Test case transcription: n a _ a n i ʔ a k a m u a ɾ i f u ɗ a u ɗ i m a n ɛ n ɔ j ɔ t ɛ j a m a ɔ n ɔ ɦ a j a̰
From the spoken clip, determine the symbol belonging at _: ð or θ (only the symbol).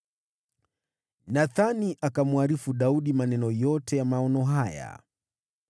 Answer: θ